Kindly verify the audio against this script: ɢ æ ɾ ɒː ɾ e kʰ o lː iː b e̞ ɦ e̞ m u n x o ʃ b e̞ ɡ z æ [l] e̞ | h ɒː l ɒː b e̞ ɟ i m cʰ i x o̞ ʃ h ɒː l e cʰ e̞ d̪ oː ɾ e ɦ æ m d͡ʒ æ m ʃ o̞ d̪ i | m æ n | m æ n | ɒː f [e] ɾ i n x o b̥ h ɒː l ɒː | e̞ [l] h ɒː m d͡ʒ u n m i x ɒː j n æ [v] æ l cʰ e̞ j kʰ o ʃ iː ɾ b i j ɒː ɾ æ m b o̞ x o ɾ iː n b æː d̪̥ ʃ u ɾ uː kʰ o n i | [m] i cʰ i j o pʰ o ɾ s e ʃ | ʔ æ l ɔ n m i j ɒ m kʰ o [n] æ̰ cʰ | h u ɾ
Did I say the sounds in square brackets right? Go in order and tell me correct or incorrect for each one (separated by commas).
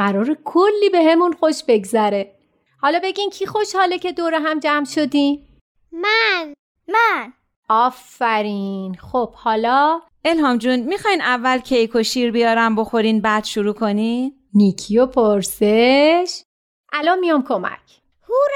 incorrect, incorrect, correct, incorrect, incorrect, incorrect